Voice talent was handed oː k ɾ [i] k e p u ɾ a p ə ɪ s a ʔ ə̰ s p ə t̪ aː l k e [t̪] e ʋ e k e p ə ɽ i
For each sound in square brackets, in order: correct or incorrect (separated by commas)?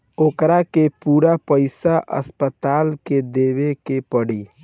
incorrect, incorrect